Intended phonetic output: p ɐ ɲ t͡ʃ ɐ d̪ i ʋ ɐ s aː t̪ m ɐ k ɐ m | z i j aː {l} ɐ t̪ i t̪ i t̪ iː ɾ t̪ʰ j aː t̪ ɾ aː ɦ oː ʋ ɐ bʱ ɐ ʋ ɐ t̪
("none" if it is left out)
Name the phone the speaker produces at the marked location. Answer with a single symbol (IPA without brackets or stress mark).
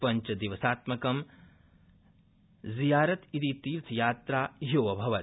ɾ